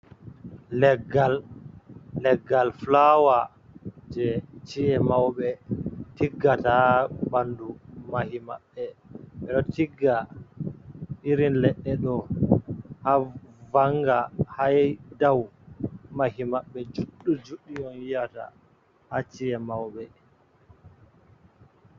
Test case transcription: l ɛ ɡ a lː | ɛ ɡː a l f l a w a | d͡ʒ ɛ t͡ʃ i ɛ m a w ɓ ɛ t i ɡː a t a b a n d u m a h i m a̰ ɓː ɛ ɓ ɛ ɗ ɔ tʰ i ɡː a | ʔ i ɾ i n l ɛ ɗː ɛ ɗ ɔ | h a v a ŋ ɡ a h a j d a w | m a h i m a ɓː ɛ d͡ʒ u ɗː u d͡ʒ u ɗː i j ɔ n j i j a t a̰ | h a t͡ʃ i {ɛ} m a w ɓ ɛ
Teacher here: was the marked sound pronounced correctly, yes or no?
yes